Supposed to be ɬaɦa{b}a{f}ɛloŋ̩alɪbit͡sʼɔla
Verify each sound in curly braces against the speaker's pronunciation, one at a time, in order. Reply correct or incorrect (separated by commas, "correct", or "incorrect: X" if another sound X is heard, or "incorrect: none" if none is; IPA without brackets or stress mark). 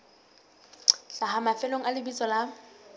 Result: incorrect: m, correct